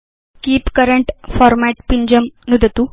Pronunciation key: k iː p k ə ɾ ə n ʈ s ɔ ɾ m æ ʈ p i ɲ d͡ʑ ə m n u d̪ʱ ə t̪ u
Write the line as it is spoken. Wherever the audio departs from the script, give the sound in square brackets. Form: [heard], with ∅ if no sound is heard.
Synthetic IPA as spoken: k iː p k ə ɾ ə [ɳ] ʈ [f] ɔ ɾ m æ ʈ p i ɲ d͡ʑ ə m n u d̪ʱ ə t̪ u